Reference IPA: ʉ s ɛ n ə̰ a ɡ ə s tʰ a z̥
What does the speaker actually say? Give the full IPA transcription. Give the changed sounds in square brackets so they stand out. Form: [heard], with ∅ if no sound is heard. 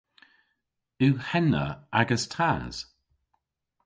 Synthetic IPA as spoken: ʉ [h] ɛ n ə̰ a ɡ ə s tʰ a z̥